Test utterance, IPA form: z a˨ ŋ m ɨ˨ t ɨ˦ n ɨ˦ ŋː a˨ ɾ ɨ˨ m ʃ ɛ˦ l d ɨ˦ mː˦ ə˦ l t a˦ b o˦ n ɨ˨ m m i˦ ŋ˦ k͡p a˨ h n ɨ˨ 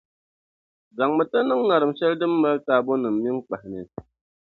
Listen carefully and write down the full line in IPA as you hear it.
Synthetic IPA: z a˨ ŋ m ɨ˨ t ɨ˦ n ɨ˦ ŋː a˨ ɾ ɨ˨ m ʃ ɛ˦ l d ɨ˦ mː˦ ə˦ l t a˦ b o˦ n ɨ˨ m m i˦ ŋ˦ k͡p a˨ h n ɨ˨